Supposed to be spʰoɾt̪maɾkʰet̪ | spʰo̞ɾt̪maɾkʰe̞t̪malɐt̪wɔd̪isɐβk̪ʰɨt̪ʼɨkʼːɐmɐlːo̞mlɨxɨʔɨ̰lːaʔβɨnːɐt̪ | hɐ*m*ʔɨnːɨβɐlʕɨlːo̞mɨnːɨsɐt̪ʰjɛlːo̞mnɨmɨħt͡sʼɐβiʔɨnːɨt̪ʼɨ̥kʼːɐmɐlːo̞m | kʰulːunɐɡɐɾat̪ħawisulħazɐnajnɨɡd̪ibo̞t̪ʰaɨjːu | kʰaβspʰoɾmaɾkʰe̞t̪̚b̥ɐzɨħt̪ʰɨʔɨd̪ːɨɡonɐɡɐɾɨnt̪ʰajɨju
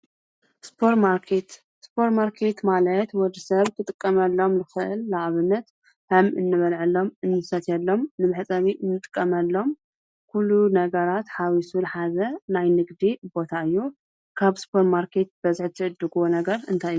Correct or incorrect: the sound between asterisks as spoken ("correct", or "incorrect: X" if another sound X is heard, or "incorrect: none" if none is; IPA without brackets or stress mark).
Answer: correct